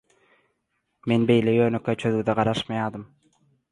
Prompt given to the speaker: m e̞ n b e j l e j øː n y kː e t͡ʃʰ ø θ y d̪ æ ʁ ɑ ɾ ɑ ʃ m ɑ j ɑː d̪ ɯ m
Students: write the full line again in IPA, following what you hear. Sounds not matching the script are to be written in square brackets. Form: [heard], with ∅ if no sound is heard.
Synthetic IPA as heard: m e̞ n b e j l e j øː n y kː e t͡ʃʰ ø [ð] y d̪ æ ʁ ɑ ɾ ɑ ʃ m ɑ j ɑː d̪ ɯ m